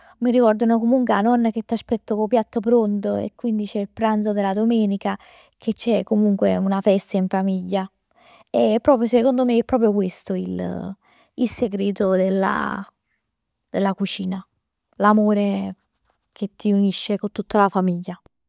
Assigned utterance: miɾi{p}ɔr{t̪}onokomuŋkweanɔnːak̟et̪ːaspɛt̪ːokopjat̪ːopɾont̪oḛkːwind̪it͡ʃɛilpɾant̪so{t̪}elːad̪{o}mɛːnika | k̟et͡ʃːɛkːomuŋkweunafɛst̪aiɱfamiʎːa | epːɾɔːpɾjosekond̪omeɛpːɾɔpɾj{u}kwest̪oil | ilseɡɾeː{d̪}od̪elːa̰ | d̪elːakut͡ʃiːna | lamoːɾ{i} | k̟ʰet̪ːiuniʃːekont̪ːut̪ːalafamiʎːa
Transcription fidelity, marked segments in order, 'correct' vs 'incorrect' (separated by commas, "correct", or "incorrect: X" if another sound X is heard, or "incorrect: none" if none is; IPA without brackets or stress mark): incorrect: k, incorrect: d̪, incorrect: d̪, correct, incorrect: o, incorrect: t̪, incorrect: e